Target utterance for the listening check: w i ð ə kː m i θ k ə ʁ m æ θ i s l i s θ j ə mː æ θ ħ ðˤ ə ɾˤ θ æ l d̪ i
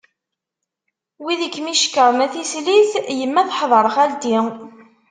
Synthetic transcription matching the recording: w i ð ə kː m i ʃ k ə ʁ m æ θ i s l i θ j ə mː æ θ ħ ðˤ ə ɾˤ χ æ l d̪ i